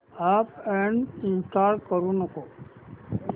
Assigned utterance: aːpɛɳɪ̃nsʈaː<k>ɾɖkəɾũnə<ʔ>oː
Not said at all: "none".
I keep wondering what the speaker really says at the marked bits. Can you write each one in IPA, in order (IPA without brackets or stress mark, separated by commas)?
none, k